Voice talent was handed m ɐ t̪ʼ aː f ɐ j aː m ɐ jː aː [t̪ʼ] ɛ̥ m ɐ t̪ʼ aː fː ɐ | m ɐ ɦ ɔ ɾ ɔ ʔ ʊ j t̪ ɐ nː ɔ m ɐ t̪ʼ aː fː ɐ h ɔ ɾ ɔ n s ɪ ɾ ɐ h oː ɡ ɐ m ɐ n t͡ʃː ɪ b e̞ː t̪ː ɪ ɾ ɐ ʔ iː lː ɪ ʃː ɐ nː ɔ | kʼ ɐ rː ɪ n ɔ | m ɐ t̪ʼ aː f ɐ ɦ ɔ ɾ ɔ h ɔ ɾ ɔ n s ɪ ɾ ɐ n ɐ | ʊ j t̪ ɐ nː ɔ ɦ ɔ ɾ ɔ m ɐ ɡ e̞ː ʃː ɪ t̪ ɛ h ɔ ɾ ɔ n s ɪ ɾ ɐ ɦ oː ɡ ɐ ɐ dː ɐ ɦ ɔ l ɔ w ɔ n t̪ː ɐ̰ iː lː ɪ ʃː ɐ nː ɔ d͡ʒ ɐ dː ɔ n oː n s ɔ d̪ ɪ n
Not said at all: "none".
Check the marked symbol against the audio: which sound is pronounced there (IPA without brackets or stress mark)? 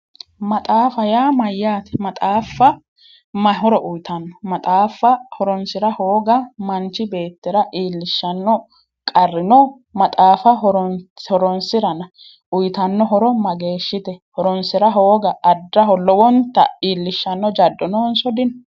t̪